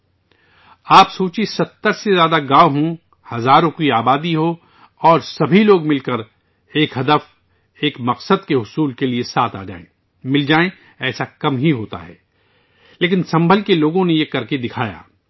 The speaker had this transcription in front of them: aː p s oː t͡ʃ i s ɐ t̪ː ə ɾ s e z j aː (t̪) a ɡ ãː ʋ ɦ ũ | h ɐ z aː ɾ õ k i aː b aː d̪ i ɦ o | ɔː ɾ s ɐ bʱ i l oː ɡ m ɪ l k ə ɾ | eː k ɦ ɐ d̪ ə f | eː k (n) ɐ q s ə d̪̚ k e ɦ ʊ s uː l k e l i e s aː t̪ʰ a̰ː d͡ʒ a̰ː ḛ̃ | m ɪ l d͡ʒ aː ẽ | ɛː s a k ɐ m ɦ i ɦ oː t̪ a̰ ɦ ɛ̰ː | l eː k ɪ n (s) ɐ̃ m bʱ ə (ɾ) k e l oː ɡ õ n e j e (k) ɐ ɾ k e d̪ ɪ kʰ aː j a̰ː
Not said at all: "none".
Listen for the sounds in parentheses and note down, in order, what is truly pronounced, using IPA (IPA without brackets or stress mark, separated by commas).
d̪, m, s, l, k